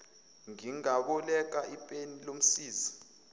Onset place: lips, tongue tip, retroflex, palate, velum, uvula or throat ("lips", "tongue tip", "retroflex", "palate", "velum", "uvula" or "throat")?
velum